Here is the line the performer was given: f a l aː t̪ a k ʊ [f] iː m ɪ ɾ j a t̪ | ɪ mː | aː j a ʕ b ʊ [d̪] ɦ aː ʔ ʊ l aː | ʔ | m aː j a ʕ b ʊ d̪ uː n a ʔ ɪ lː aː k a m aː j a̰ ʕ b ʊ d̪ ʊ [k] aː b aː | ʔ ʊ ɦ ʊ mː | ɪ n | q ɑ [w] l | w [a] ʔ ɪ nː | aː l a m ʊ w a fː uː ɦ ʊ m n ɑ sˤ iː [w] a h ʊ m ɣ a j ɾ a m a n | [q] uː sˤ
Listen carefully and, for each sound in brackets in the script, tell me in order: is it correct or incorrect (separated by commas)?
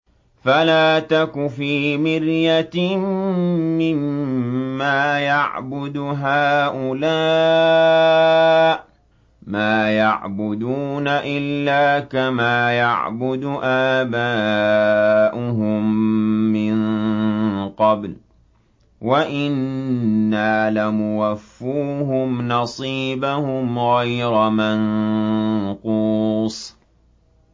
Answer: correct, correct, incorrect, incorrect, correct, incorrect, correct